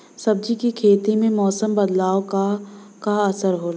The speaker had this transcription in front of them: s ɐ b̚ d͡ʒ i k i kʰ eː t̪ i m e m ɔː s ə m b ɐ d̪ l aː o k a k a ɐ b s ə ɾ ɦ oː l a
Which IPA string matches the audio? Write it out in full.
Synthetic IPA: s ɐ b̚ d͡ʒ i k i kʰ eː t̪ i m ẽ m ɔː s ə m b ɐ d̪ l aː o k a k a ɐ s ə ɾ ɦ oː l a